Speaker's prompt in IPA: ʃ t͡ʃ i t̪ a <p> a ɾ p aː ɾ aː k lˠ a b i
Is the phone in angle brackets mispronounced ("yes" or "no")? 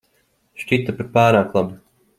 no